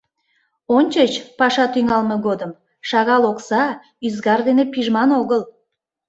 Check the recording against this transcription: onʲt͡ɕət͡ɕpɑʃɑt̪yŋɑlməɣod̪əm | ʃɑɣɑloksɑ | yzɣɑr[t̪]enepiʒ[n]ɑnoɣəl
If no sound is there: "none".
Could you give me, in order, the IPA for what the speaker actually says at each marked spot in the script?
d̪, m

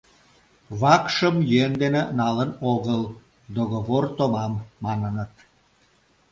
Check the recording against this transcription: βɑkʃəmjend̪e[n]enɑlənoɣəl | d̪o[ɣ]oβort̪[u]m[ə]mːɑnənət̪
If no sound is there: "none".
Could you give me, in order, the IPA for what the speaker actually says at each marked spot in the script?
n, ɣ, o, ɑ

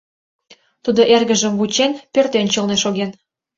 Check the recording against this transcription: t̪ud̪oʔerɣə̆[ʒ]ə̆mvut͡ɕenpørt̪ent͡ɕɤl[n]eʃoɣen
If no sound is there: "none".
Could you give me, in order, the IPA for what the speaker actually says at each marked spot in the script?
ʒ, n

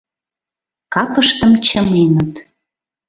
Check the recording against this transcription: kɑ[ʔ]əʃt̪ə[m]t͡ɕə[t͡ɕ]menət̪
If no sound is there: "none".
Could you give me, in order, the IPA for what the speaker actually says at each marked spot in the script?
p, m, none

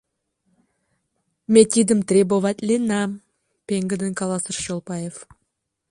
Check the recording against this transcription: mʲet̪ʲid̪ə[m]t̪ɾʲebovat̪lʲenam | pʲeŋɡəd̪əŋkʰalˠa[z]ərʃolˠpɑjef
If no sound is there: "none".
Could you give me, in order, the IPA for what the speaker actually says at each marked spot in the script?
m, s

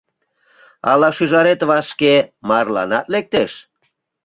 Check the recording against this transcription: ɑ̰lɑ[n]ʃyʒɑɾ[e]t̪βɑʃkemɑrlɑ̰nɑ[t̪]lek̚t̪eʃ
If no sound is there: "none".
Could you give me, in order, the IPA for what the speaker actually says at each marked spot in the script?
none, e, t̪

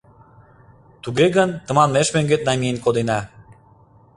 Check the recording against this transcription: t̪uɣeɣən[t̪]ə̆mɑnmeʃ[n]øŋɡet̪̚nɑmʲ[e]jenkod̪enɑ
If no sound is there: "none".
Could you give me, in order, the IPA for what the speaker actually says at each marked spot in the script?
t̪, m, i

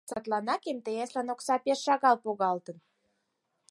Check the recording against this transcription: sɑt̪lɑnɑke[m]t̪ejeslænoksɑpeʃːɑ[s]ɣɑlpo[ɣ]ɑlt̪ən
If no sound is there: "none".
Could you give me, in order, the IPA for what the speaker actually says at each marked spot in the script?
m, none, ɣ

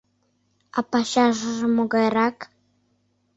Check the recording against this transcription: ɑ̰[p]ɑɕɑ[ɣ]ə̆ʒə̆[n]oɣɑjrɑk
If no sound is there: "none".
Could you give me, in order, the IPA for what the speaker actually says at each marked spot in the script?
p, ʒ, m

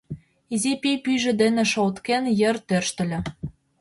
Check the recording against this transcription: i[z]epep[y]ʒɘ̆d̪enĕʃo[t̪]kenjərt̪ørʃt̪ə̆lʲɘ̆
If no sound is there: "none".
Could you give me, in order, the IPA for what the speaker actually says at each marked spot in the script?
z, y, t̪

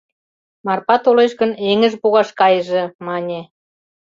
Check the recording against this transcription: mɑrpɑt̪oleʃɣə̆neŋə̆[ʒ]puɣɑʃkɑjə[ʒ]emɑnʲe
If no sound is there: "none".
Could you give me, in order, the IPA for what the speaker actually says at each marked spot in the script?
ʒ, ʒ

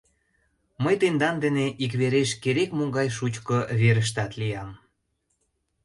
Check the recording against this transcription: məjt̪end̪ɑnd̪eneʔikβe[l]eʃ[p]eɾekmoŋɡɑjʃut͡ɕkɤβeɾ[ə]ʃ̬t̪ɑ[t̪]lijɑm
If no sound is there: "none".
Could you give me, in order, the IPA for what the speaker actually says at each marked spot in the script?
ɾ, k, ə, t̪

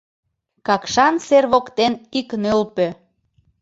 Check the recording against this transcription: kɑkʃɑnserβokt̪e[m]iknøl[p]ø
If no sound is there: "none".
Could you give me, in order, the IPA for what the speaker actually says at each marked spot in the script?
n, p

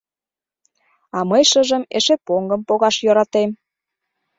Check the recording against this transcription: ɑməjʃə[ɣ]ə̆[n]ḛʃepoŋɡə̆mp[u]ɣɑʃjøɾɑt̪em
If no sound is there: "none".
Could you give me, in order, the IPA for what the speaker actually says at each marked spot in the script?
ʒ, m, o

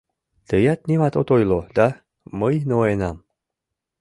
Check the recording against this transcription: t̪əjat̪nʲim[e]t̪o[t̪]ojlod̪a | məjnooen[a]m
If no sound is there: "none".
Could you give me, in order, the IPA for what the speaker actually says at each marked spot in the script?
a, t̪, a

